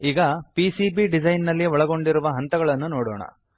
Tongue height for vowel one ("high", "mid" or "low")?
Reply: high